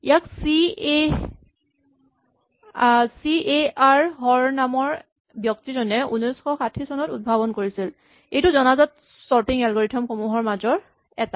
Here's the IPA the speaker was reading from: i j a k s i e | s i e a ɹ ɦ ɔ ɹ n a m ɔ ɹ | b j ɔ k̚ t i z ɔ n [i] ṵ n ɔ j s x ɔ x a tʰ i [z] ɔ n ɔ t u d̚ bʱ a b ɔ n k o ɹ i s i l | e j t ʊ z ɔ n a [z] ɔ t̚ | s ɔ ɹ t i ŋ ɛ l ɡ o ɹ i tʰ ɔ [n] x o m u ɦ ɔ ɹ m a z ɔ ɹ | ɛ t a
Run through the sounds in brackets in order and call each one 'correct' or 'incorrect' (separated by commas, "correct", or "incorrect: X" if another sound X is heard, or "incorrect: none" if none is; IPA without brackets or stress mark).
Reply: incorrect: ɛ, incorrect: s, correct, incorrect: m